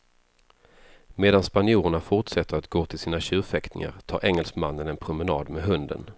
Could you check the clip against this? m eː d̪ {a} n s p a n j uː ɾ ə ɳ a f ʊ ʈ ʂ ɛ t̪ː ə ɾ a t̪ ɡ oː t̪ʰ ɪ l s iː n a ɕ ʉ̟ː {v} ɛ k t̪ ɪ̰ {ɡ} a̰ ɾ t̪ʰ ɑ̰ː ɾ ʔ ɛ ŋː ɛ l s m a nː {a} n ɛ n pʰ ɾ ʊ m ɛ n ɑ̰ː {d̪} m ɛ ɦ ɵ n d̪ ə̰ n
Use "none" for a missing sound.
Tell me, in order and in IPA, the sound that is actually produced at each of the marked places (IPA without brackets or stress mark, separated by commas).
a, f, ŋ, ə, d̪